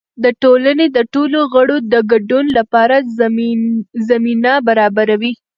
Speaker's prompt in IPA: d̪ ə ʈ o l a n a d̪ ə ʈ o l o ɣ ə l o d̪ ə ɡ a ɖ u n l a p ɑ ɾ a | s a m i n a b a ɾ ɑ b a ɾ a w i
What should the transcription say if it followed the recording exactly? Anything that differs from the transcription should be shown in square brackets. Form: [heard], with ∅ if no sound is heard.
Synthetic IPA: d̪ ə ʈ o l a n [e] d̪ ə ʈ o l o ɣ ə [ɽ] o d̪ ə ɡ a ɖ u n l a p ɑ ɾ a | [z] a m i n a b a ɾ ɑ b a ɾ a w i